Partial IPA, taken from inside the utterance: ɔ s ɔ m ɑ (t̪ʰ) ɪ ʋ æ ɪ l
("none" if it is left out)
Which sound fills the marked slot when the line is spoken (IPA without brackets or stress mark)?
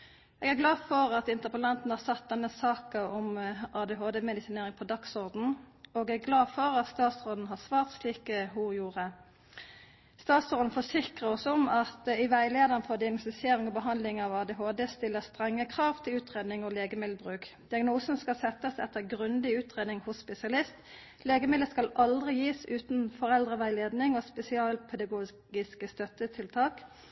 t̪